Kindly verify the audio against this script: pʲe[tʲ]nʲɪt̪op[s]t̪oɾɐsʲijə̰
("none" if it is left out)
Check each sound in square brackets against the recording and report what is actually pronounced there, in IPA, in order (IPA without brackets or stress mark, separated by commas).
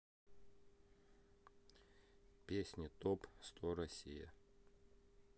sʲ, s